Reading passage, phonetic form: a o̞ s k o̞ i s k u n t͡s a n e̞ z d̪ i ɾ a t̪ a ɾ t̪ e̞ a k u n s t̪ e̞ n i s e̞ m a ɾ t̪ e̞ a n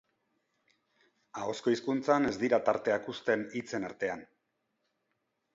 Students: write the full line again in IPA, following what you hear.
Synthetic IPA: a o̞ s k o̞ i s k u n t͡s a n e̞ z d̪ i ɾ a t̪ a ɾ t̪ e̞ a k u s t̪ e̞ n i t͡s e̞ n a ɾ t̪ e̞ a n